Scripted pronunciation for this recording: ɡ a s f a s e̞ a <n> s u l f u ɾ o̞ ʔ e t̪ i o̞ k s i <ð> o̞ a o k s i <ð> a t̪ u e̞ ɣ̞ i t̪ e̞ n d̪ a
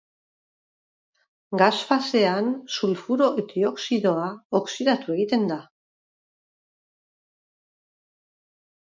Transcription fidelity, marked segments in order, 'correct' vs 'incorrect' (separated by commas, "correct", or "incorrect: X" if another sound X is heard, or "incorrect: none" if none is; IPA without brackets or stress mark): correct, correct, correct